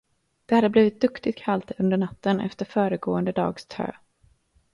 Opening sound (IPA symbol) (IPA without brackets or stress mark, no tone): d̪̥